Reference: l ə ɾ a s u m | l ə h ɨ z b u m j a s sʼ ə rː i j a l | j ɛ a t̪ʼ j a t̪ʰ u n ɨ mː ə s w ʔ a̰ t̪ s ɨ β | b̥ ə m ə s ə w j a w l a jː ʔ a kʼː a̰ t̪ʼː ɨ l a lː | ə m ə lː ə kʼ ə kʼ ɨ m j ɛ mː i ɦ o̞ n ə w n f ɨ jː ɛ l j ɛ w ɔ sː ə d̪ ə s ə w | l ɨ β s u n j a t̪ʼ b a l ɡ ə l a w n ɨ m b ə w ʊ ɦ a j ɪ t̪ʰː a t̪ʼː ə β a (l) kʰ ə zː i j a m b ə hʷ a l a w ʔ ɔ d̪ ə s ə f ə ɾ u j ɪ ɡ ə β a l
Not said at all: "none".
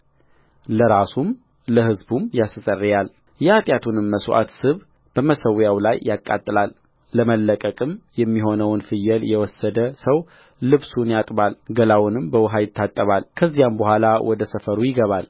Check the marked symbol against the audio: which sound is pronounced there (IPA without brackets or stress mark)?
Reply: l